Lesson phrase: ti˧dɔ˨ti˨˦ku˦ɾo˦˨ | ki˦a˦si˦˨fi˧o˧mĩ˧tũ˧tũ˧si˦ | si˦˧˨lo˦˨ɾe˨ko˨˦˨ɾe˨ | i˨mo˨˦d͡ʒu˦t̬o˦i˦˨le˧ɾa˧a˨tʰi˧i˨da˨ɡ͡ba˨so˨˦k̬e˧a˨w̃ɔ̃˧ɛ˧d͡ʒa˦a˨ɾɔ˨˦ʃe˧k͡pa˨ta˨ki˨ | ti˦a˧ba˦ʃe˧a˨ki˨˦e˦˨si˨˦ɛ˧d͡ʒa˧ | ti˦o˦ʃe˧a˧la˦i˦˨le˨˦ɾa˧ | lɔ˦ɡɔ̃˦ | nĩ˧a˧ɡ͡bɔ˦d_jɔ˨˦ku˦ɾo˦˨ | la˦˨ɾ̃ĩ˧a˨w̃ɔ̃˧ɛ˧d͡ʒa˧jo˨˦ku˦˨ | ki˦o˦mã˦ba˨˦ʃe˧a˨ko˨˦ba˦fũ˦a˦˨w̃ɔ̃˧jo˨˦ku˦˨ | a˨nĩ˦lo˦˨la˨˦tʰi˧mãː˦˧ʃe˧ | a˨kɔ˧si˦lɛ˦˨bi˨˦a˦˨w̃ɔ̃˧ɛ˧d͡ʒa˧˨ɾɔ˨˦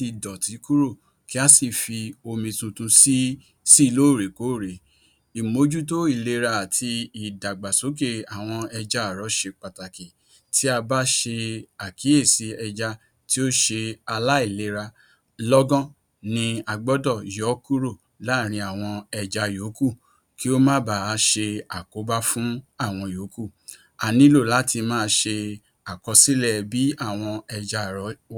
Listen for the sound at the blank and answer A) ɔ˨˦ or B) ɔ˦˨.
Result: B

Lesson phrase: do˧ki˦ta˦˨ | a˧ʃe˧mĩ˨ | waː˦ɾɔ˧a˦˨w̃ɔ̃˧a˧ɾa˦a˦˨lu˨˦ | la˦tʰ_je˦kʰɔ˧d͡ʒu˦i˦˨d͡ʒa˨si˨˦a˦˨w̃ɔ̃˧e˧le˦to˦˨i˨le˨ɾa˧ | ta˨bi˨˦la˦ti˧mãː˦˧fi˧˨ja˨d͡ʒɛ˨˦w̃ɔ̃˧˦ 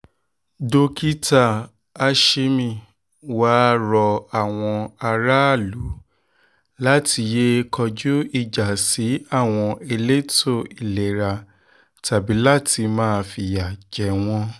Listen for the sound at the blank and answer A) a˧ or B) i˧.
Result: B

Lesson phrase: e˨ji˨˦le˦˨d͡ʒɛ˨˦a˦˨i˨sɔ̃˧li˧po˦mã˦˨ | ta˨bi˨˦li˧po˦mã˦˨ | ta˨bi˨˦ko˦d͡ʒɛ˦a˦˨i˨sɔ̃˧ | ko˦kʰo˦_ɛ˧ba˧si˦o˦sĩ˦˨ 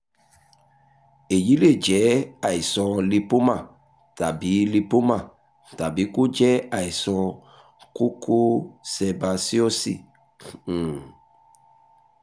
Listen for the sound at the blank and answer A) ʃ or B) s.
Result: B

